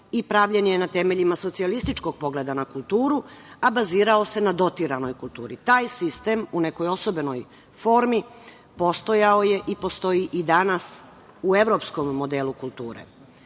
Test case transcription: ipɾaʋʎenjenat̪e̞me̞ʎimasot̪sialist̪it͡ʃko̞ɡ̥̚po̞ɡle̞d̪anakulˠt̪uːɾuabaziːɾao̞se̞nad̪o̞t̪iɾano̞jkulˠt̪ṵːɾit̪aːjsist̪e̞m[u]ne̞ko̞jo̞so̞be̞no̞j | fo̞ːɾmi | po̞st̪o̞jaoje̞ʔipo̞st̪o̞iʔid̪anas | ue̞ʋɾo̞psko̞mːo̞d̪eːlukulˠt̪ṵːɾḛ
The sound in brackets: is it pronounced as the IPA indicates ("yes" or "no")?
yes